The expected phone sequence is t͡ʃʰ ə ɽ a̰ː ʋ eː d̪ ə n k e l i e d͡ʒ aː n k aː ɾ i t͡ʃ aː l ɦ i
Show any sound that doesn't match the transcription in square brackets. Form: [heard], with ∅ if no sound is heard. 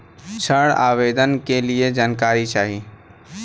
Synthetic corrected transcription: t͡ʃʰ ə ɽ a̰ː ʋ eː d̪ ə n k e l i e d͡ʒ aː n k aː ɾ i t͡ʃ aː [∅] ɦ i